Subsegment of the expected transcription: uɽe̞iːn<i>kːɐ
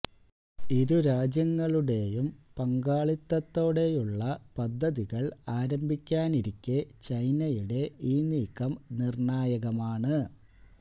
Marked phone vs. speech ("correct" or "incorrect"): incorrect